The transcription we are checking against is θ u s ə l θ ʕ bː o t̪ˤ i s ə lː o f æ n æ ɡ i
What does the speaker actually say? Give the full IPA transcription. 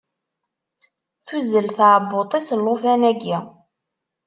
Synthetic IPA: θ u z ə l θ ʕ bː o t̪ˤ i s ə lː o f æ n æ ɡ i